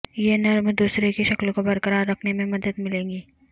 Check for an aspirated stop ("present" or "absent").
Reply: present